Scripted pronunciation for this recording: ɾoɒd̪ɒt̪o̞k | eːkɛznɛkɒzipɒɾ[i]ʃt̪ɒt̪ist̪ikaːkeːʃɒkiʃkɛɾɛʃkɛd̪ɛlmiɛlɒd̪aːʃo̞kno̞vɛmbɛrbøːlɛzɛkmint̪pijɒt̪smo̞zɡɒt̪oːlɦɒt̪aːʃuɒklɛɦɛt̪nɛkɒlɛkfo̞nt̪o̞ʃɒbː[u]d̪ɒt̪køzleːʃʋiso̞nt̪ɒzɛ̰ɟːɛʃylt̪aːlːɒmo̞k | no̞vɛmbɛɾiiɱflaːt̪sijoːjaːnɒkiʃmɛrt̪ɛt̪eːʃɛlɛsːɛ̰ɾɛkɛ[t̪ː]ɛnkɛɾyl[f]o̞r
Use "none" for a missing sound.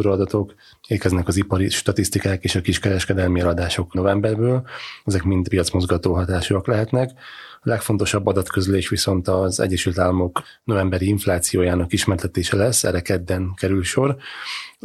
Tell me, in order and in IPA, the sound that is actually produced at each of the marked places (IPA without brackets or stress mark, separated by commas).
i, ɒ, d̪ː, ʃ